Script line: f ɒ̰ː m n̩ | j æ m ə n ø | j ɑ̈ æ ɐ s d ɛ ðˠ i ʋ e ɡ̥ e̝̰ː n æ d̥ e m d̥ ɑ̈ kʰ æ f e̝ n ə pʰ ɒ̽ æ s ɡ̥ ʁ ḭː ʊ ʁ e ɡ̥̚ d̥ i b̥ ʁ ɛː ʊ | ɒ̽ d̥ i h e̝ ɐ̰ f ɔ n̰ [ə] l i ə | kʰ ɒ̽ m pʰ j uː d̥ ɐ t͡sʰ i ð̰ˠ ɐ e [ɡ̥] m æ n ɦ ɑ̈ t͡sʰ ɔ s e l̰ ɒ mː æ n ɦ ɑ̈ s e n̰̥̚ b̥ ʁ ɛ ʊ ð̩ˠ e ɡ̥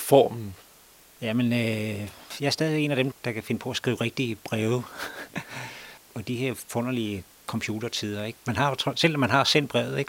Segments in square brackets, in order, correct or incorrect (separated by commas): incorrect, correct